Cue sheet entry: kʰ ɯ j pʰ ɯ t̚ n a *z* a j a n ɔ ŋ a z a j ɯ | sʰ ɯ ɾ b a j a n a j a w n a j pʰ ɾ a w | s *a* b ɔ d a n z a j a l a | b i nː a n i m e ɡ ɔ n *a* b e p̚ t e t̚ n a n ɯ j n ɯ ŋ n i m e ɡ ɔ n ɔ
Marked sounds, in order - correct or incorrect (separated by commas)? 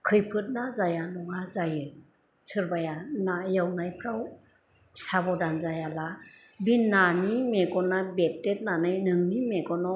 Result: correct, correct, correct